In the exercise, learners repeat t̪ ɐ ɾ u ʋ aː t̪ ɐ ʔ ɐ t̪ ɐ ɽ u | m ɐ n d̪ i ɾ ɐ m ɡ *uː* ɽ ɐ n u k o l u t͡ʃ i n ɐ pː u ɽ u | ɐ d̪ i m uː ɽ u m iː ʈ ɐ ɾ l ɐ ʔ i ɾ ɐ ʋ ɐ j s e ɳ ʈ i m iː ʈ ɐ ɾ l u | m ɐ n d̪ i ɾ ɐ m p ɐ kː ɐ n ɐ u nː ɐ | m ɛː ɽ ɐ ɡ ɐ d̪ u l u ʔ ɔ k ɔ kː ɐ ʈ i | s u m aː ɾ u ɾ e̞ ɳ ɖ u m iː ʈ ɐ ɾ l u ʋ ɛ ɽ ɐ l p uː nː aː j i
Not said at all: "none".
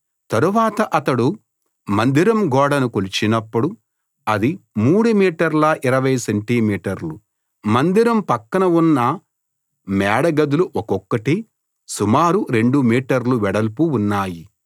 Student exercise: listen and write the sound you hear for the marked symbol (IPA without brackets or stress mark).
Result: ɔː